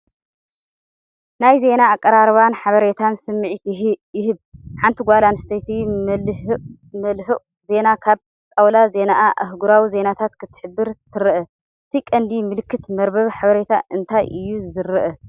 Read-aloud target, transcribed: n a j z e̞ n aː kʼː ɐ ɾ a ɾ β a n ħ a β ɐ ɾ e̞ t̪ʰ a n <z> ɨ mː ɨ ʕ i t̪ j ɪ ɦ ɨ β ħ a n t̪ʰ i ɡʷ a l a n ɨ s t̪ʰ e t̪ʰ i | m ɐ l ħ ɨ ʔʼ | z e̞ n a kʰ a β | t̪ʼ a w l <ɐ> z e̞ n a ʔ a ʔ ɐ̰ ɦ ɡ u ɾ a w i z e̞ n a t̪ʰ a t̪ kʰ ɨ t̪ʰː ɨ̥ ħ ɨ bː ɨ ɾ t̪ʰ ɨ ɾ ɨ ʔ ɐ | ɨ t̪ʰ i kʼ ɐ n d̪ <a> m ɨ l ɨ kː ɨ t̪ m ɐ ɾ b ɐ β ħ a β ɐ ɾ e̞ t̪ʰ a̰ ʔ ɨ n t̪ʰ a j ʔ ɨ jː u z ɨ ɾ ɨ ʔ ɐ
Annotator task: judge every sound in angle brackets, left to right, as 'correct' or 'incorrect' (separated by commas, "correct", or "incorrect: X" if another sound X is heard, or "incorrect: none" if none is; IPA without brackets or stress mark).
incorrect: s, incorrect: a, incorrect: i